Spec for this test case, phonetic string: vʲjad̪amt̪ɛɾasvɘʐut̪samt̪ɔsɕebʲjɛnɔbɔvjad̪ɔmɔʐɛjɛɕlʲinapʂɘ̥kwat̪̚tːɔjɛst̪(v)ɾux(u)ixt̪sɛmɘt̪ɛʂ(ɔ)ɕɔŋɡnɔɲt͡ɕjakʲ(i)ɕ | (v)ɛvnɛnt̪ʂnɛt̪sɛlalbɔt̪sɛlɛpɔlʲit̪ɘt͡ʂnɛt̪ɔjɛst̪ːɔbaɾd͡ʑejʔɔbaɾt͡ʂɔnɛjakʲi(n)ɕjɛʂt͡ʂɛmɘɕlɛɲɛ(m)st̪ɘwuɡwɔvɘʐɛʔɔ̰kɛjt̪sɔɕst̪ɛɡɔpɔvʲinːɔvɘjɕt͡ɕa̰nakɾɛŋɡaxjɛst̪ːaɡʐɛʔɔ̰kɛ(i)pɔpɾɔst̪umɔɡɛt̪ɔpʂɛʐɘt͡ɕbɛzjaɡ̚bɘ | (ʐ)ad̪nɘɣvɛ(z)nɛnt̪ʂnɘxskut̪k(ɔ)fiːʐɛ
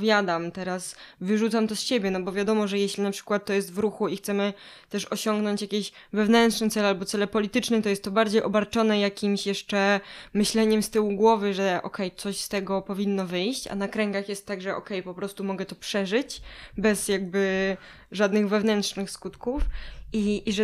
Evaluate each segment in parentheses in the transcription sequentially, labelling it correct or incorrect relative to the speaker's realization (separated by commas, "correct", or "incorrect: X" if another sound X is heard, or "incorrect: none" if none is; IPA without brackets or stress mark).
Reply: correct, correct, correct, incorrect: e, correct, incorrect: m, correct, incorrect: j, correct, incorrect: v, incorrect: u